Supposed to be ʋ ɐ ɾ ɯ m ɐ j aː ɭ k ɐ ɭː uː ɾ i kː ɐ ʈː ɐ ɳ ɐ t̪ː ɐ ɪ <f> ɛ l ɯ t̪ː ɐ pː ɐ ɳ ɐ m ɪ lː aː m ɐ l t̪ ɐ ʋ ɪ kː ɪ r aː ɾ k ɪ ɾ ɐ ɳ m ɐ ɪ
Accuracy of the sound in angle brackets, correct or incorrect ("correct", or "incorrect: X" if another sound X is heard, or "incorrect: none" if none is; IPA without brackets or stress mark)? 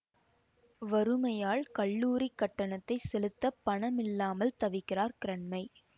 incorrect: s